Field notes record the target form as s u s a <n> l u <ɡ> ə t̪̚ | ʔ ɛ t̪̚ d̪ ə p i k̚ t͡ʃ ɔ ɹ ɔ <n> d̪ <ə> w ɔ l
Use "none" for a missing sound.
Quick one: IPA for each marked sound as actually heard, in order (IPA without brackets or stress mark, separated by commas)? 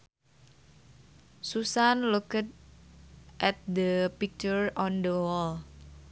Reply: n, k, n, ə